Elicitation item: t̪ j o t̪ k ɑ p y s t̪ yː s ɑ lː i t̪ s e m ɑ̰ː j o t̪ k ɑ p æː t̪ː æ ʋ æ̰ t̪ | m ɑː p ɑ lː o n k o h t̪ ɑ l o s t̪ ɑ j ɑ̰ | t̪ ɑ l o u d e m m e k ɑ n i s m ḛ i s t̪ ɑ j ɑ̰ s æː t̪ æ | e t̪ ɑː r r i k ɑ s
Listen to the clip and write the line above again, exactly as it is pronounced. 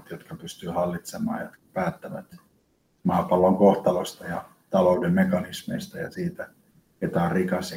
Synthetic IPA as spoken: t̪ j o t̪ k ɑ p y s t̪ yː h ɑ lː i t̪ s e m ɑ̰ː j o t̪ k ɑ p æː t̪ː æ ʋ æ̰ t̪ | m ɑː p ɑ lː o ŋ k o h t̪ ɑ l o s t̪ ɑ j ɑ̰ | t̪ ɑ l o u d e m m e k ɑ n i s m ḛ i s t̪ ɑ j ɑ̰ s iː t̪ æ | e t̪ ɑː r r i k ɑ s